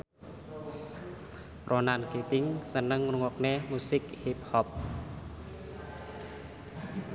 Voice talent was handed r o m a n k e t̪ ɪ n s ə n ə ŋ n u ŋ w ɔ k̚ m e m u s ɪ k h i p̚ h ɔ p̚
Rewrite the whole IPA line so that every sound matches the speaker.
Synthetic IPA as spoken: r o n a n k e t̪ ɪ ŋ s ə n ə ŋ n u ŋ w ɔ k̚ n e m u s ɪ k h i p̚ h ɔ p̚